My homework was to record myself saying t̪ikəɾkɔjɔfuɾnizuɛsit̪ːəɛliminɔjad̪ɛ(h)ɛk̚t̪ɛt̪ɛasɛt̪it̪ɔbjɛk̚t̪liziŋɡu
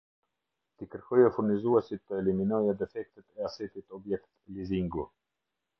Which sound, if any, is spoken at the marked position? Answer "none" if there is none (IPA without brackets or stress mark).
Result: f